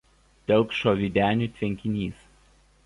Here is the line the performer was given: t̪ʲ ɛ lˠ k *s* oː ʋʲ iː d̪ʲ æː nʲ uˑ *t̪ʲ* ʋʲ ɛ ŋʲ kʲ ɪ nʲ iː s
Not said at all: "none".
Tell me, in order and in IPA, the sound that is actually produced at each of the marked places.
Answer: ʃ, t̪ʲ

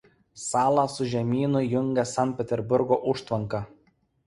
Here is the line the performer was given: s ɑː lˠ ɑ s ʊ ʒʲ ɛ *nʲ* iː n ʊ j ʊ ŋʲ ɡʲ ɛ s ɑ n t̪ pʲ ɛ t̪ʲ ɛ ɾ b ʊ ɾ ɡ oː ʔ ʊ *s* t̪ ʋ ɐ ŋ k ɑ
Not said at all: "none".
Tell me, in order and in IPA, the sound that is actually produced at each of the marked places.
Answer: mʲ, ʃ

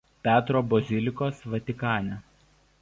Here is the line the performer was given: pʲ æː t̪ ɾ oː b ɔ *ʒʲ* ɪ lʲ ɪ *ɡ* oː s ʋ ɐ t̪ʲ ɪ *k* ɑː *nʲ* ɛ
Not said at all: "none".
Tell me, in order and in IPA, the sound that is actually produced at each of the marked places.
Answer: zʲ, k, k, nʲ

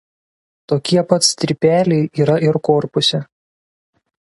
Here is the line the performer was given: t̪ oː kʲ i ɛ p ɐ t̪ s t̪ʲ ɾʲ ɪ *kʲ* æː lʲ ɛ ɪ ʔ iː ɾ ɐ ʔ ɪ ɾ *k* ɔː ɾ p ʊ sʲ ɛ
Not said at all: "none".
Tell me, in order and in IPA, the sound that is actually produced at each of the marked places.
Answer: pʲ, k

